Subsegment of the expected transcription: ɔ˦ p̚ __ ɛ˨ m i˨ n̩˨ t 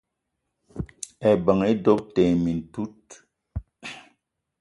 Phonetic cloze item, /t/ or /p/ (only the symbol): t